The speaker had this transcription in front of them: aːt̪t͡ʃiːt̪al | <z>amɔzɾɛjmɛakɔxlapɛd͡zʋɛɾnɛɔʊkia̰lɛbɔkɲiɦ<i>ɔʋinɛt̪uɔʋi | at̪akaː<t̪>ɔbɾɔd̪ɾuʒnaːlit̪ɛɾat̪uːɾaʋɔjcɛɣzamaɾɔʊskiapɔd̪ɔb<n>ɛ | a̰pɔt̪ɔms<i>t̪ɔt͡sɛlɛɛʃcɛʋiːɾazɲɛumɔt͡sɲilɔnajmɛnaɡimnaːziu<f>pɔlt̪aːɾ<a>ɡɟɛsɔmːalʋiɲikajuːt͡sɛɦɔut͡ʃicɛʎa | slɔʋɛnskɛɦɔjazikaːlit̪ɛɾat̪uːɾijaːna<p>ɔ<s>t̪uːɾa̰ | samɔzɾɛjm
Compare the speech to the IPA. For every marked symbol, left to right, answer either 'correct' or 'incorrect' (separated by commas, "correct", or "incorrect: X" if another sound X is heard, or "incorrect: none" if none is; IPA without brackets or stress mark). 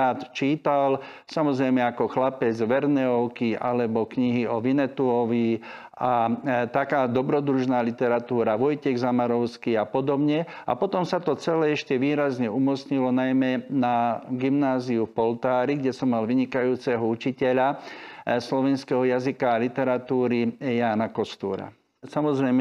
incorrect: s, correct, incorrect: d̪, incorrect: ɲ, incorrect: a, correct, incorrect: i, incorrect: k, correct